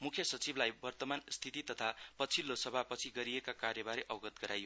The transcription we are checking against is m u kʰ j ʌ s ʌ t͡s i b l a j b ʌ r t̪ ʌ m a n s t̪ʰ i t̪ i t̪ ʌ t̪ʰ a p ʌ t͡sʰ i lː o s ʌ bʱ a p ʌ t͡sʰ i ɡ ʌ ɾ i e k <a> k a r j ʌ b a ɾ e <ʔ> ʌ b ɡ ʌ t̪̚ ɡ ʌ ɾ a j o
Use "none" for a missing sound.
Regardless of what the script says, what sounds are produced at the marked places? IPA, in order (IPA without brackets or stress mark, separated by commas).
a, ʔ